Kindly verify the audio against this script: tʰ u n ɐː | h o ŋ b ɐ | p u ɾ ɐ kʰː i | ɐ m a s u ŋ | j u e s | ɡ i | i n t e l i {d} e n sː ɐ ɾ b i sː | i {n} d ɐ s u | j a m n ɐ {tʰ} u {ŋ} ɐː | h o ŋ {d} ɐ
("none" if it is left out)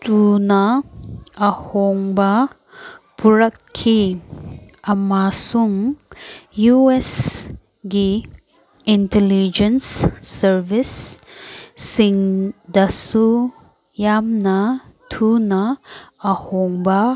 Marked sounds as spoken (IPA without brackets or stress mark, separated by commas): d͡ʒ, ŋ, tʰ, n, b